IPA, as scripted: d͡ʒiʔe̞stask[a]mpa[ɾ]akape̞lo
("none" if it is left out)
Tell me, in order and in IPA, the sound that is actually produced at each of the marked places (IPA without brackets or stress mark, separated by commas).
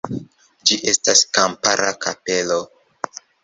a, ɾ